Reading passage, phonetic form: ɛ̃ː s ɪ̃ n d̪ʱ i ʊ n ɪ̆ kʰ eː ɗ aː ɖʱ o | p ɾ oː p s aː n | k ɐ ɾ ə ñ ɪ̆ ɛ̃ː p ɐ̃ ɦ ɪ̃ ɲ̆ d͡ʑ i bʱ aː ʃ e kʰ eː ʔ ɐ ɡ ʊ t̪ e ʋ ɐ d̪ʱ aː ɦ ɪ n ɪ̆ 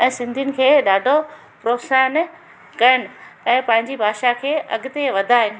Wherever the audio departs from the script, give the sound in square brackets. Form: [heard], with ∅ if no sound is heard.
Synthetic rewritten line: ɛ̃ː s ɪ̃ n d̪ʱ i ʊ n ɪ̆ kʰ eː ɗ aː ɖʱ o | p ɾ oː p s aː n | k ɐ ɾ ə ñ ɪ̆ ɛ̃ː p ɐ̃ ɦ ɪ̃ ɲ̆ d͡ʑ i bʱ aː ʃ [a] kʰ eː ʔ ɐ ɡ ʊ t̪ e ʋ ɐ d̪ʱ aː ɦ ɪ n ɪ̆